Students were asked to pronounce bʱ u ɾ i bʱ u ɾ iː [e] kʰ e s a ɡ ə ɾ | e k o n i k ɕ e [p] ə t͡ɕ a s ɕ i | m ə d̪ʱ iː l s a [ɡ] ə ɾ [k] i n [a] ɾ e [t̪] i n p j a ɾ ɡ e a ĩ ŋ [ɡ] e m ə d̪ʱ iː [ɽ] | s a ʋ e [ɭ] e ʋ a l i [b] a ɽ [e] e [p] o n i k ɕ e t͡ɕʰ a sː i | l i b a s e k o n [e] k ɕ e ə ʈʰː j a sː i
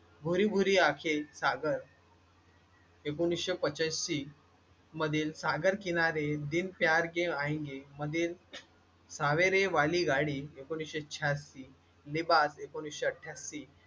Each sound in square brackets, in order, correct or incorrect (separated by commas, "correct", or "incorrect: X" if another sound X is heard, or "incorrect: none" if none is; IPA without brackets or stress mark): incorrect: a, correct, correct, correct, correct, incorrect: d̪, correct, incorrect: l, incorrect: ɾ, incorrect: ɡ, incorrect: i, incorrect: k, incorrect: i